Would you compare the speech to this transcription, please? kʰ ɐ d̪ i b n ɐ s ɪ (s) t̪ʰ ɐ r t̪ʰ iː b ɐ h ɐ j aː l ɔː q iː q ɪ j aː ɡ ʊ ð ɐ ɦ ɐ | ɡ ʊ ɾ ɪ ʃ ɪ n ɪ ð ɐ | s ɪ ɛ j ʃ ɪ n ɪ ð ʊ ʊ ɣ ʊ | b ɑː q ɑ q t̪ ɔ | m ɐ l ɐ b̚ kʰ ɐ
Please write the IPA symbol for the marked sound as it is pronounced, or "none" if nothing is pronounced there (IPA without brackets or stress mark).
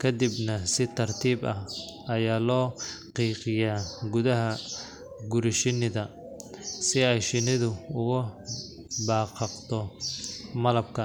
none